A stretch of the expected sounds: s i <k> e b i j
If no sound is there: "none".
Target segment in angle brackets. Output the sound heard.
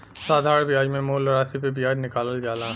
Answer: p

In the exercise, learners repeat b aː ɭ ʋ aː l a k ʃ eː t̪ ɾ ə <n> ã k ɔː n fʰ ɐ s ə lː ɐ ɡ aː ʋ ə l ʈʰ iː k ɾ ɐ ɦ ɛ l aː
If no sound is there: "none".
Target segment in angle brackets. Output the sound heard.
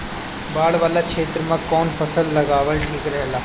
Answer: m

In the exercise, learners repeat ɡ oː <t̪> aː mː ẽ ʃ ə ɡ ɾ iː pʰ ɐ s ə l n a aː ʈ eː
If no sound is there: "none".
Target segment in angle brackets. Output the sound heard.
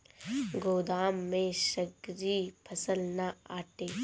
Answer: d̪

